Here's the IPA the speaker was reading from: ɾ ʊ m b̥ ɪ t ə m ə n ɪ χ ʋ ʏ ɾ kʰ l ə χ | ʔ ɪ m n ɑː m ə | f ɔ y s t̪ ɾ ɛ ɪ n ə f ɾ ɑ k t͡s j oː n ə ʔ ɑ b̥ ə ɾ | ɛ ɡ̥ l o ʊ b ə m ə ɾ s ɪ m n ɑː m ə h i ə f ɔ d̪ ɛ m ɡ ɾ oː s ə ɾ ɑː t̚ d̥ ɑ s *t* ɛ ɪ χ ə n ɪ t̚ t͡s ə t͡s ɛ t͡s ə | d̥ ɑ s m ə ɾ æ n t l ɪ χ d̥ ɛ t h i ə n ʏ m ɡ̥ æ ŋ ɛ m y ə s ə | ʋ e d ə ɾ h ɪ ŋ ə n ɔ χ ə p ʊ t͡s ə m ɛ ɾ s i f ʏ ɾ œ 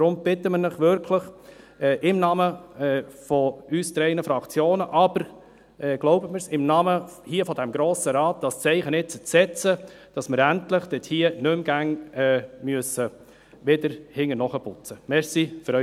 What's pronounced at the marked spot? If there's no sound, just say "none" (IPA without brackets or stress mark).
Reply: t͡s